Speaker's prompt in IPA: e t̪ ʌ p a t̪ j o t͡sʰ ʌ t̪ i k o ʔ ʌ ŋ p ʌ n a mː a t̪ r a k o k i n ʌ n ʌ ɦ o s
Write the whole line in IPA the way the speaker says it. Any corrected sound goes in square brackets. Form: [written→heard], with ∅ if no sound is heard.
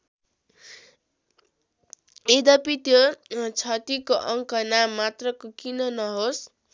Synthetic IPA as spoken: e [t̪→d̪] ʌ p [a→i] t̪ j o t͡sʰ ʌ t̪ i k o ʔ ʌ ŋ [p→k] ʌ n a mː a t̪ r [a→ʌ] k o k i n ʌ n ʌ ɦ o s